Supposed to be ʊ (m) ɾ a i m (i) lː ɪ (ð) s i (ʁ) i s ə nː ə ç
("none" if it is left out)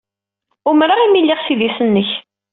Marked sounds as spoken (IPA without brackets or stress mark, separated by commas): m, i, ʁ, ð